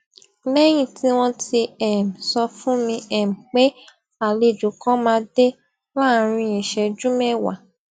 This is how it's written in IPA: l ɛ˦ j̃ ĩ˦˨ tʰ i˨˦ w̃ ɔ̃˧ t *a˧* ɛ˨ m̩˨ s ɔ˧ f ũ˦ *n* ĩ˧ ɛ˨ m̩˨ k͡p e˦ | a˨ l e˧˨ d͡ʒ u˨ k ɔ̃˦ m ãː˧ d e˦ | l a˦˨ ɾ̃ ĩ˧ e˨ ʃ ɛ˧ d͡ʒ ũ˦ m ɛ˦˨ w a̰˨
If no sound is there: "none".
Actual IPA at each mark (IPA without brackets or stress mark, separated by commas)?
i˧, m